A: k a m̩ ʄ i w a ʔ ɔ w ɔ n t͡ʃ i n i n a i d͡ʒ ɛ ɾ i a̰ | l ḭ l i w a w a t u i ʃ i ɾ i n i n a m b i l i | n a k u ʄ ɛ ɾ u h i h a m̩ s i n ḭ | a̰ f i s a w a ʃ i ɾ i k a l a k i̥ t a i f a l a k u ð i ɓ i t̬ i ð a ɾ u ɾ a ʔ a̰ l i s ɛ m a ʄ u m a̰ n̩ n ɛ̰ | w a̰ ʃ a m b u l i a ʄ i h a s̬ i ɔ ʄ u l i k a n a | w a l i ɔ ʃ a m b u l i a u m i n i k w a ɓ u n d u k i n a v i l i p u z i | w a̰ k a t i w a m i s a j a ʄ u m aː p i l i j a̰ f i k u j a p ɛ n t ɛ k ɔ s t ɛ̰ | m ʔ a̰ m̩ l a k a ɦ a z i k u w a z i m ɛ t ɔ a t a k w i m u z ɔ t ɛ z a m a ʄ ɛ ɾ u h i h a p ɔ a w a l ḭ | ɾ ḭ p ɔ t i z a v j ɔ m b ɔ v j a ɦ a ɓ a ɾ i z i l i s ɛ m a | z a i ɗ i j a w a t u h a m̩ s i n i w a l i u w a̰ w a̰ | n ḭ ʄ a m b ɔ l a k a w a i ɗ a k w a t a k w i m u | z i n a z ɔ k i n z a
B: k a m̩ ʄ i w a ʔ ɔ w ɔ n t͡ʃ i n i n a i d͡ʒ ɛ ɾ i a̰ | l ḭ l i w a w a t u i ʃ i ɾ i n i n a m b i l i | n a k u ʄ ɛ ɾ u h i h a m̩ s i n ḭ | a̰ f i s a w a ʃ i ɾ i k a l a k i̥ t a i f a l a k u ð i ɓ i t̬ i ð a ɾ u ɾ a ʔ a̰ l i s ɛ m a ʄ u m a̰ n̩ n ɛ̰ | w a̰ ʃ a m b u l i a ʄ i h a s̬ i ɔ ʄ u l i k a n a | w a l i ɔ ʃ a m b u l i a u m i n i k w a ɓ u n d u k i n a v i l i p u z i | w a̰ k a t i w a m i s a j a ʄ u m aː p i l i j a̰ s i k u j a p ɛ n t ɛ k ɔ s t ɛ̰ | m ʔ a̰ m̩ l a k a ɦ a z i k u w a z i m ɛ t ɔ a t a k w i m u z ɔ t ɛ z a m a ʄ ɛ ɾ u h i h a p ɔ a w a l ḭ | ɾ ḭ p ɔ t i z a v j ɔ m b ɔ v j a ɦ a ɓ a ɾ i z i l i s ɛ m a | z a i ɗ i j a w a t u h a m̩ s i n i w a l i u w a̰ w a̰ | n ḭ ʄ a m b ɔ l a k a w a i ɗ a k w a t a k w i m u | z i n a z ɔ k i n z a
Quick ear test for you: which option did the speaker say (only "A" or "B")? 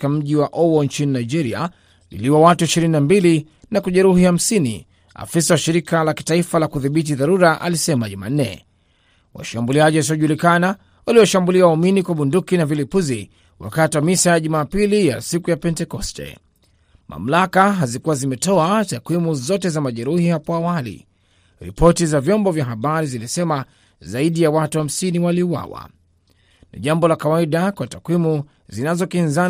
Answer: B